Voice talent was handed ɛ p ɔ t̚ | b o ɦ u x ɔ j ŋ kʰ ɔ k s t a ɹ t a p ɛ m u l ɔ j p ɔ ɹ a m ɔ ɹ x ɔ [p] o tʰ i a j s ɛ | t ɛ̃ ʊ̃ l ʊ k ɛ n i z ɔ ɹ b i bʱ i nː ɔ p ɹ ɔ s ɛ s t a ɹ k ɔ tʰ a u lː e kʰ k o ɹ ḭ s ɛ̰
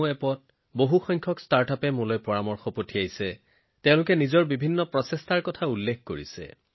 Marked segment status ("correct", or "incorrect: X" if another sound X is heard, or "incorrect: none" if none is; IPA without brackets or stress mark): correct